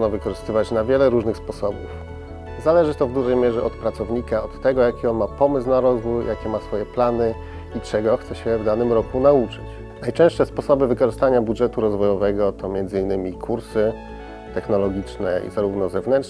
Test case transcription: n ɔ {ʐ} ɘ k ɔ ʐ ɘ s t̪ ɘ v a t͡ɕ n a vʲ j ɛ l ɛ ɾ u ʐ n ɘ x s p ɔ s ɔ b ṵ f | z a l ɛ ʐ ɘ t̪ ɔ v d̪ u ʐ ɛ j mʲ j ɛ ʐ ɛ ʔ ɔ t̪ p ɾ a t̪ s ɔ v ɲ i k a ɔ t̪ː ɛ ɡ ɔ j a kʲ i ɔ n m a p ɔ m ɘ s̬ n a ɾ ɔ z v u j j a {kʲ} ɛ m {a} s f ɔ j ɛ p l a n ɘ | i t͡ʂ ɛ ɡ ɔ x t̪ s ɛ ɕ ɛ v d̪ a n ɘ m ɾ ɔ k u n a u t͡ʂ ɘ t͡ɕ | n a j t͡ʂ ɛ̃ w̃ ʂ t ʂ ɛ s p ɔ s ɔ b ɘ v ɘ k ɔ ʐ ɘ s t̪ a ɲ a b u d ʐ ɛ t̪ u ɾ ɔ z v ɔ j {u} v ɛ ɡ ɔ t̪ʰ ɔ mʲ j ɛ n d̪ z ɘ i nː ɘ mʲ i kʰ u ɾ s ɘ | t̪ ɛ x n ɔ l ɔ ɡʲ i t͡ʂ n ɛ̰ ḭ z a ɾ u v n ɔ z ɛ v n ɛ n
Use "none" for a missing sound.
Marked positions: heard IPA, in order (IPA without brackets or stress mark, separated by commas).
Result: v, kʲ, a, ɔ